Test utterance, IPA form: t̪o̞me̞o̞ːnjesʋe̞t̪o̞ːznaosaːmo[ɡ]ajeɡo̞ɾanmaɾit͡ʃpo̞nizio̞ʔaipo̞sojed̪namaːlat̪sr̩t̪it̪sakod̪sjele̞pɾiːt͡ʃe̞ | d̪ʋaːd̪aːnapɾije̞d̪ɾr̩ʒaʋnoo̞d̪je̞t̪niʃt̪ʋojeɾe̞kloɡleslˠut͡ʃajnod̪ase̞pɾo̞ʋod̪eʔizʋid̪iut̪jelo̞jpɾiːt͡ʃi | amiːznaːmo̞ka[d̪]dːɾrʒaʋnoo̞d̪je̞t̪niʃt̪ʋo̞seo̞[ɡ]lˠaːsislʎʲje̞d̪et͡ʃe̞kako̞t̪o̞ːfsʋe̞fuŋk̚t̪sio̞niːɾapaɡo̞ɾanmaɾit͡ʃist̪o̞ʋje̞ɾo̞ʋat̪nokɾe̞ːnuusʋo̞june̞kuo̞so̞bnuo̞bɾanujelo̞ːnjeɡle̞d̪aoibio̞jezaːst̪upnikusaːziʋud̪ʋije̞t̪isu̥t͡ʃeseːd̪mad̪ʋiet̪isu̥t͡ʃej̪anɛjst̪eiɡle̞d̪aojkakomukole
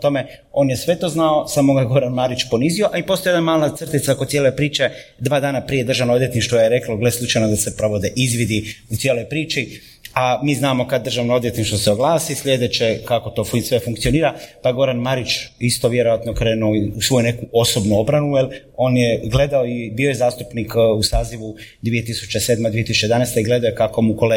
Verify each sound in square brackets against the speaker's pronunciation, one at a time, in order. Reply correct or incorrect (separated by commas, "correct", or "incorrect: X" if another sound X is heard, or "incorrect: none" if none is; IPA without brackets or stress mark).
correct, correct, correct